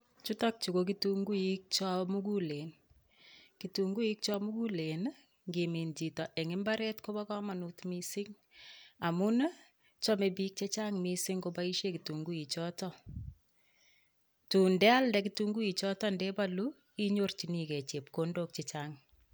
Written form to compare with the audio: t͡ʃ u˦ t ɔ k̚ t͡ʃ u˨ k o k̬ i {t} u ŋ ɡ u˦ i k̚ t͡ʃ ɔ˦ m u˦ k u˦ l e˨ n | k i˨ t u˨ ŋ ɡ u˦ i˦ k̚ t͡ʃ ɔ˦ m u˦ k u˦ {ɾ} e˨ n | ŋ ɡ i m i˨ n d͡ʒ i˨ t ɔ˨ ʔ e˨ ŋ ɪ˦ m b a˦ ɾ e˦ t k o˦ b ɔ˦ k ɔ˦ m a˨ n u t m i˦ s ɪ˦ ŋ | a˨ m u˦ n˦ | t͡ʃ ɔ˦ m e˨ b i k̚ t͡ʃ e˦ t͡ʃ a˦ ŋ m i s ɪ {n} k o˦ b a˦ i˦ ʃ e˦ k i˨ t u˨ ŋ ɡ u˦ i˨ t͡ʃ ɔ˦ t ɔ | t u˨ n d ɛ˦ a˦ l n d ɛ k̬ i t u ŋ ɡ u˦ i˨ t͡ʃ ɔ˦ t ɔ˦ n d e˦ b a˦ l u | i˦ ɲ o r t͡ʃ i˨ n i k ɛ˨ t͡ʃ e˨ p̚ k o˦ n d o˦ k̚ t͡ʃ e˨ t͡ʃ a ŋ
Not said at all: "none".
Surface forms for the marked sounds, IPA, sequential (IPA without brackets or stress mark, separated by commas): t, l, ŋ